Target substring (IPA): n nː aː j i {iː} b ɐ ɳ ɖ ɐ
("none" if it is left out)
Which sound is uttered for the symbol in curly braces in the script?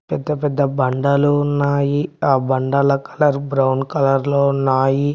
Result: aː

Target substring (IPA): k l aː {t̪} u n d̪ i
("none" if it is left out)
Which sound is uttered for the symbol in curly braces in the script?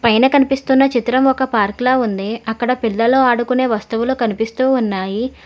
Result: none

